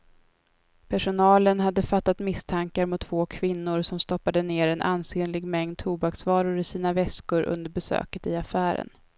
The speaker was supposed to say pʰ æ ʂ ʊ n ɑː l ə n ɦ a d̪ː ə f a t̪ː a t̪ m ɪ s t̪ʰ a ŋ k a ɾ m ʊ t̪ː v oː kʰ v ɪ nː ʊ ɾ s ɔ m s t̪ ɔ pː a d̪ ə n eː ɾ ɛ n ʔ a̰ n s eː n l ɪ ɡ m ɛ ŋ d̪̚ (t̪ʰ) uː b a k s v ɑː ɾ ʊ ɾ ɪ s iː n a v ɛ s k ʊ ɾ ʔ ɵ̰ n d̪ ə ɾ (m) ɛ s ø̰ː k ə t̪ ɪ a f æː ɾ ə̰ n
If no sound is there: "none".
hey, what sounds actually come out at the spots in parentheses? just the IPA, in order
t̪ʰ, b

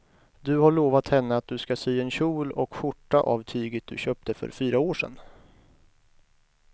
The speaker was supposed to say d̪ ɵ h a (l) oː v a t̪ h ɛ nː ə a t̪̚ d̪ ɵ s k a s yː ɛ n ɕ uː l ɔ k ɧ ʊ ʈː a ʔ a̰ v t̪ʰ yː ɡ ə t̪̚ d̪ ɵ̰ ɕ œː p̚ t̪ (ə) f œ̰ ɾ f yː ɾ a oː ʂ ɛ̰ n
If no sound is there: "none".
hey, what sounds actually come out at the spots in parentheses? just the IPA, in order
ɭ, ə

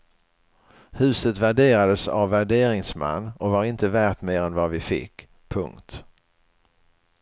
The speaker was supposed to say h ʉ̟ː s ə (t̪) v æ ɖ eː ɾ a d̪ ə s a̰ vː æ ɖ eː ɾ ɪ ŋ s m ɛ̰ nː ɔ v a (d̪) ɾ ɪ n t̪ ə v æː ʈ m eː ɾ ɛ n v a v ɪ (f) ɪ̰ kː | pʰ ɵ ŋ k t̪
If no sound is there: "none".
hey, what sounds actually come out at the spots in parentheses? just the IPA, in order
t̪, none, f

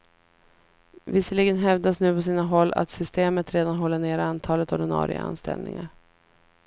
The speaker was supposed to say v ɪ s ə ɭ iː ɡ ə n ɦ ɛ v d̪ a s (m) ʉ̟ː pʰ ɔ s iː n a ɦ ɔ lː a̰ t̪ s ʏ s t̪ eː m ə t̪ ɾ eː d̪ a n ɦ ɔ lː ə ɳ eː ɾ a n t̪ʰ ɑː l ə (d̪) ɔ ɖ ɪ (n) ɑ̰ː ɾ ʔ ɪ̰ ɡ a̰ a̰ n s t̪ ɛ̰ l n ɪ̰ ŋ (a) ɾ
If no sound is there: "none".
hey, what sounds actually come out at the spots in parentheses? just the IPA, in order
n, t̪, n, a

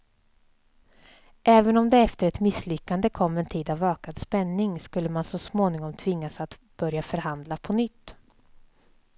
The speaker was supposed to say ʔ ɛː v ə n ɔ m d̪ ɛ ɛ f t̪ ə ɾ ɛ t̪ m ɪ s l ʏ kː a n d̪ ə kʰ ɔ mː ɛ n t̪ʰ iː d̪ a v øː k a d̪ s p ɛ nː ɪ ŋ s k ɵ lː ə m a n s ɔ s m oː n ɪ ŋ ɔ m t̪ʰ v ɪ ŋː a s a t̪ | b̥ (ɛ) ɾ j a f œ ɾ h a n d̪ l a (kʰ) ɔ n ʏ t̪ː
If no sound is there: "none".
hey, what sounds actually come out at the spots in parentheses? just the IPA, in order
œ, pʰ

